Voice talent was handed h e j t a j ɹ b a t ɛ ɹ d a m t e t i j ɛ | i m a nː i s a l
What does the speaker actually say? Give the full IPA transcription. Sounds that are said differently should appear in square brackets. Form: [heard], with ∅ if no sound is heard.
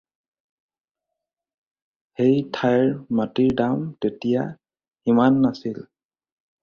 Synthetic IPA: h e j [tʰ] a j ɹ [m] a t [i] ɹ d a m t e t i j [a] | i m a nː [a] s [i] l